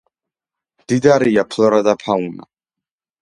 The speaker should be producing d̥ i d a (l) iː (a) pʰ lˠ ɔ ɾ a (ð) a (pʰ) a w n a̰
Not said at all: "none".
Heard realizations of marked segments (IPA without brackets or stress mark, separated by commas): ɾ, a, ð, pʰ